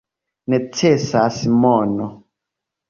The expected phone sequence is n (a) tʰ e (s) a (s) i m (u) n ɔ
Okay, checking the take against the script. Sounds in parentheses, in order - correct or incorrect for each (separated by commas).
incorrect, correct, correct, incorrect